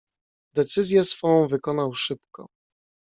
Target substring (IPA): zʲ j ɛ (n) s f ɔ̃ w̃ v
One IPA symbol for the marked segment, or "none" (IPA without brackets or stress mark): none